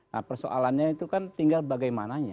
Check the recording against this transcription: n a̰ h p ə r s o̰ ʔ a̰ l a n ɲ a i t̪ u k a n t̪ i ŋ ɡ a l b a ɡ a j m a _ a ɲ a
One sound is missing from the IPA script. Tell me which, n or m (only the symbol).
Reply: n